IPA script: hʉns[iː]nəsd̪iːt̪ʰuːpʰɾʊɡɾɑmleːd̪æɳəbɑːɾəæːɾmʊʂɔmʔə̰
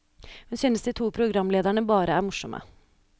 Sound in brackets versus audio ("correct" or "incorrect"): incorrect